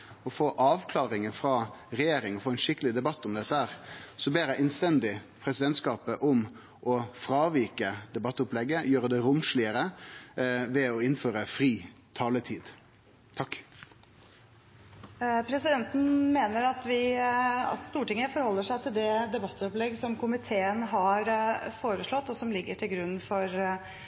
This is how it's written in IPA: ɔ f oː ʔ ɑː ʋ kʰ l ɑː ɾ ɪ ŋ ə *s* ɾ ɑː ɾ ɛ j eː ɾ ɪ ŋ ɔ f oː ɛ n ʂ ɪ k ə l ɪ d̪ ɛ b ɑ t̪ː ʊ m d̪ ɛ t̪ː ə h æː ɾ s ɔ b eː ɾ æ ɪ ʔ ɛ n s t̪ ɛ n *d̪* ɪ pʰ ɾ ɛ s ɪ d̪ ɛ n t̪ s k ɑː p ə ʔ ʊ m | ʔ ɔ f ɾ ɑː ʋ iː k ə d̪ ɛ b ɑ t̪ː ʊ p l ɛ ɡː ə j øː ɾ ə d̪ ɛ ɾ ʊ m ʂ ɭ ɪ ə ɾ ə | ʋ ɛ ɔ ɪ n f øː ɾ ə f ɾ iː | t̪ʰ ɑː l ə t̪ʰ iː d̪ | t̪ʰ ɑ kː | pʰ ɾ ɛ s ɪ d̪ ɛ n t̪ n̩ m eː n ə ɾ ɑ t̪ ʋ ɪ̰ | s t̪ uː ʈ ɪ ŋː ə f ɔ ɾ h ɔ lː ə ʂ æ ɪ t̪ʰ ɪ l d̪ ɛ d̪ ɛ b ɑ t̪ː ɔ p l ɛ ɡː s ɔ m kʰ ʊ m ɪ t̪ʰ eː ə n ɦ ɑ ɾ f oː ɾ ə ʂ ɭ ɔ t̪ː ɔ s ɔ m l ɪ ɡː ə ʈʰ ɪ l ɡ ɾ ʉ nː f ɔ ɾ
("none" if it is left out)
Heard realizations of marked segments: f, d̪

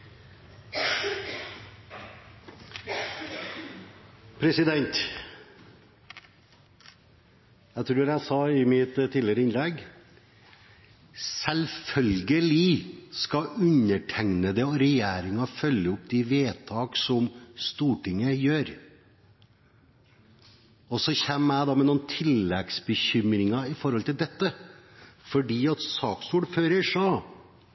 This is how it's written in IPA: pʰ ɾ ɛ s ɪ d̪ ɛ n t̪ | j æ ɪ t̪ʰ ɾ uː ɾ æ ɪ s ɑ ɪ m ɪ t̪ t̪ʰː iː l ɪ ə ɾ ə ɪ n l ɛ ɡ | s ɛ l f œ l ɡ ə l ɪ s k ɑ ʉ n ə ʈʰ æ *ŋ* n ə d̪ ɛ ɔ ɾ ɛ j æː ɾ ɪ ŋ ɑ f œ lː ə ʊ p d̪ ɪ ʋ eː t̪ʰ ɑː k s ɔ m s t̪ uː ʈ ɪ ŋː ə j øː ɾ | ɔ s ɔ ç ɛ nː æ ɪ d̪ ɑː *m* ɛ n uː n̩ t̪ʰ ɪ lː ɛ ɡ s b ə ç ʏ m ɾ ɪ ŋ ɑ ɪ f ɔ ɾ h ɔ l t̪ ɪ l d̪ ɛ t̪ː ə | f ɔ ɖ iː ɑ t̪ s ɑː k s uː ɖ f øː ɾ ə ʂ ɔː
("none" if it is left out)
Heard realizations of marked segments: ŋ, m

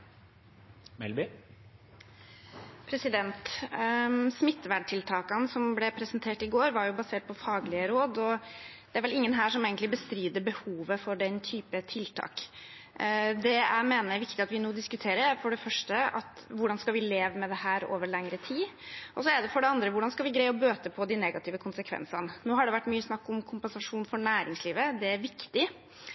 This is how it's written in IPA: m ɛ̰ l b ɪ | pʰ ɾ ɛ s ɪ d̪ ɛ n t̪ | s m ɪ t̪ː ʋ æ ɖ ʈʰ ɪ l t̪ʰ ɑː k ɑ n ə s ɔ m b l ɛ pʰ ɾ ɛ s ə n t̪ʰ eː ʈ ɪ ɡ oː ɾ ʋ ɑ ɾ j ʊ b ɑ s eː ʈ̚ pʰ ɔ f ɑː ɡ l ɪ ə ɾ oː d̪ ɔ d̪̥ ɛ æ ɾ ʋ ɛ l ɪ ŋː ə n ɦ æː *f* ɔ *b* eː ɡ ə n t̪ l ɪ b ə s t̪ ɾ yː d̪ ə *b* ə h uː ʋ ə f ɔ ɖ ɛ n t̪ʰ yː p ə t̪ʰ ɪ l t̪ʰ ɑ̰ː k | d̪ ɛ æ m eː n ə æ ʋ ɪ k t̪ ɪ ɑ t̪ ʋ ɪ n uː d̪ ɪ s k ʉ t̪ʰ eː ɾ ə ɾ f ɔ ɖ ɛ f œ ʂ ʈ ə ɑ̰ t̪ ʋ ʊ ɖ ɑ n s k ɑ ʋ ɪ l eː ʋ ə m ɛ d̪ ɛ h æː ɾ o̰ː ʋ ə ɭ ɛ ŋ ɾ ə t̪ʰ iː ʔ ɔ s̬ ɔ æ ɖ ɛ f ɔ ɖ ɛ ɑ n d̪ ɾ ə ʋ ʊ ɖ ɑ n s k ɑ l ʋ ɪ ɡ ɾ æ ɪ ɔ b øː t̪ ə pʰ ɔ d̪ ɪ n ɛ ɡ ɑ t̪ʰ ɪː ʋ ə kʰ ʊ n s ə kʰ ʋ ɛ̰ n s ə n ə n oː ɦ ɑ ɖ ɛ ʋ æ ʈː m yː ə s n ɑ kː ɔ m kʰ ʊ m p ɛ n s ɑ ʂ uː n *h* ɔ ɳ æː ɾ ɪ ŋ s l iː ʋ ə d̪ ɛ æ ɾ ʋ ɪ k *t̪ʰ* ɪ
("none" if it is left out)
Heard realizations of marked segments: ʂ, m, b, f, t̪

